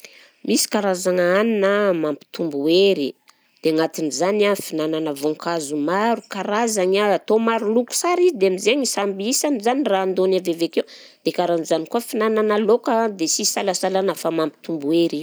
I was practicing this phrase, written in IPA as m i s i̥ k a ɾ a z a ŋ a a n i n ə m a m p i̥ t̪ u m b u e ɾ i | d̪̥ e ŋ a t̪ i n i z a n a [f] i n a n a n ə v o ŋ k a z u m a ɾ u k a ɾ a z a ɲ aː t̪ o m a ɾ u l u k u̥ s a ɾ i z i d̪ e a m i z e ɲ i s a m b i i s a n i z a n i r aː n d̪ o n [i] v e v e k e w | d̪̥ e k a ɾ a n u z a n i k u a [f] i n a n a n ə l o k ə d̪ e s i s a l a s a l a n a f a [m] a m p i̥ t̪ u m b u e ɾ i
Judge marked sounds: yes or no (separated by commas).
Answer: yes, no, yes, yes